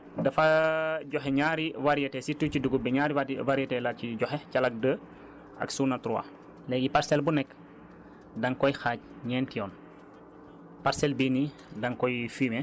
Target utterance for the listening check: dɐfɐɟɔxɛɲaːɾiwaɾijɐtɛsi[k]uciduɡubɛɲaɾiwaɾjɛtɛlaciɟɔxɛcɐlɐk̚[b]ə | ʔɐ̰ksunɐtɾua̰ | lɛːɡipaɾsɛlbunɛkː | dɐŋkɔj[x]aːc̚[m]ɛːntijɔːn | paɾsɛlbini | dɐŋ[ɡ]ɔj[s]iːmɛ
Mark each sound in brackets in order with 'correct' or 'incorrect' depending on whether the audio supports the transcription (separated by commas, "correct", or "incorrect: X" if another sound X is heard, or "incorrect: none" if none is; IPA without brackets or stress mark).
incorrect: t, incorrect: d, correct, incorrect: ɲ, incorrect: k, incorrect: f